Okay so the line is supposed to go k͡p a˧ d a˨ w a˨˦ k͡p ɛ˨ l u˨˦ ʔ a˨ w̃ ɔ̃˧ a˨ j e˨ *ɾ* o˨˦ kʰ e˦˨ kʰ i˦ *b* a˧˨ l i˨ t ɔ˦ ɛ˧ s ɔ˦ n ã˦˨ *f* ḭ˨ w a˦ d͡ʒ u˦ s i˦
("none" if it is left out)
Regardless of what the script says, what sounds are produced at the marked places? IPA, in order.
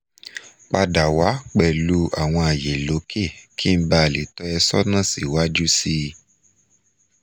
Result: l, b, s

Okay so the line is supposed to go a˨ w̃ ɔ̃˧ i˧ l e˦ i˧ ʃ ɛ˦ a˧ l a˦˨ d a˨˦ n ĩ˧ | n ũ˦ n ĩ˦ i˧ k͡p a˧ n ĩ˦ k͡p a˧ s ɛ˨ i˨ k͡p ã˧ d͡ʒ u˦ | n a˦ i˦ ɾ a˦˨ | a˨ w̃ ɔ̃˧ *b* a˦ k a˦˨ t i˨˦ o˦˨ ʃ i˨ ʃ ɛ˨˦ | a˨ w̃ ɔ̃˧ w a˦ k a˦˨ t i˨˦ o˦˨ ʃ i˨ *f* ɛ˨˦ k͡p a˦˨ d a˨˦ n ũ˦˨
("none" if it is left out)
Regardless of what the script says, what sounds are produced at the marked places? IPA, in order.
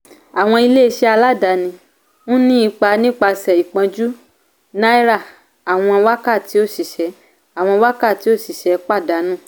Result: w, ʃ

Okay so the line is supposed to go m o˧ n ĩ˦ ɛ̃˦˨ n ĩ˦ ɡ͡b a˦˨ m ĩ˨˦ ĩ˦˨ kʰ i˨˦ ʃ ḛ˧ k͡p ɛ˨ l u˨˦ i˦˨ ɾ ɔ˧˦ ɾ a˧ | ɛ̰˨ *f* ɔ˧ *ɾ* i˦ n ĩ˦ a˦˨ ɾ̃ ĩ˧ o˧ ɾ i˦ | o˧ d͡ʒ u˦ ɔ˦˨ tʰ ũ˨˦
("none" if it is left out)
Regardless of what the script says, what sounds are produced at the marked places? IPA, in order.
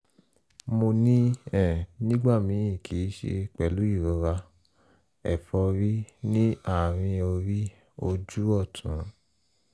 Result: f, ɾ

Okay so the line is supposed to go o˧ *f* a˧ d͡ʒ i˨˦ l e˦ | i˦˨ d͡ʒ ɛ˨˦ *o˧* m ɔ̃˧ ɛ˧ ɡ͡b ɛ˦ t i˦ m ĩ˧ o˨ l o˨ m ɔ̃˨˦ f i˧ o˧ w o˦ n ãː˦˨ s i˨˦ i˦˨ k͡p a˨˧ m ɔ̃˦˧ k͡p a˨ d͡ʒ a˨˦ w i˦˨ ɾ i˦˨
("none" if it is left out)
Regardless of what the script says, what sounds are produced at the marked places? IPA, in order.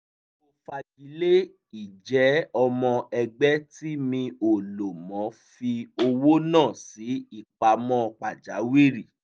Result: f, ɔ˧

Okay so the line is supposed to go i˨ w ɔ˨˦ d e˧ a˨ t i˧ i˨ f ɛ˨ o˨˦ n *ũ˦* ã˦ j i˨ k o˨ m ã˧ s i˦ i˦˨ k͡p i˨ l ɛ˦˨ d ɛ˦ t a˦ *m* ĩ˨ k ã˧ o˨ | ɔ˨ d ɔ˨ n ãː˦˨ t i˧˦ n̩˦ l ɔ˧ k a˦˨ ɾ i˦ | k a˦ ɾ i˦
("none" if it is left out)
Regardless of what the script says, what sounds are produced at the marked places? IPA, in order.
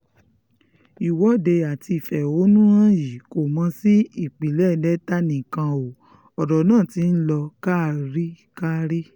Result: ũ˦, n

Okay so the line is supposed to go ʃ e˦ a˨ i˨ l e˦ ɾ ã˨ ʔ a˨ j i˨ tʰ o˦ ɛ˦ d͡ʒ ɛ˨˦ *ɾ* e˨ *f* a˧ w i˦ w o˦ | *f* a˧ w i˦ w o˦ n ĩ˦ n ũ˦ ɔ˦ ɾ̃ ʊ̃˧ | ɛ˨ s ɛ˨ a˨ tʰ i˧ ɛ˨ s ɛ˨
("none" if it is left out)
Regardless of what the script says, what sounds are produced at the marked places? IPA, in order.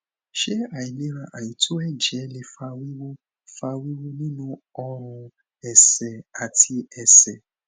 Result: l, f, f

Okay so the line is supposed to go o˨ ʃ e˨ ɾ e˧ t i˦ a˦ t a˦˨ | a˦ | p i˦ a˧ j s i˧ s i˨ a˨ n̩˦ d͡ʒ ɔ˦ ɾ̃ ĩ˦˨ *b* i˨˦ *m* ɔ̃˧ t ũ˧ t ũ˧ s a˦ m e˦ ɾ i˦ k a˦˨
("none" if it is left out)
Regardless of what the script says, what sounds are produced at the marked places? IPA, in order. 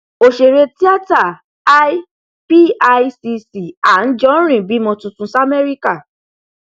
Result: b, m

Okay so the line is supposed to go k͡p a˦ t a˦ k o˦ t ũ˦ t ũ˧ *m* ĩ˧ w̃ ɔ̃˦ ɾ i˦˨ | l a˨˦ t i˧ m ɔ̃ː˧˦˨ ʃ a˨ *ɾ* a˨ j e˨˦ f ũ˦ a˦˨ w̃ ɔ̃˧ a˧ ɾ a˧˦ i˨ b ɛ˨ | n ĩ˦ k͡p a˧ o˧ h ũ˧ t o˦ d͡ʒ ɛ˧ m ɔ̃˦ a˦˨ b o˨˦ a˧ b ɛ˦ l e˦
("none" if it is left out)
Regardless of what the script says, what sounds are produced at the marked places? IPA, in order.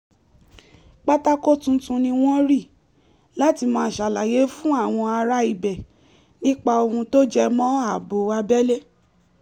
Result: n, l

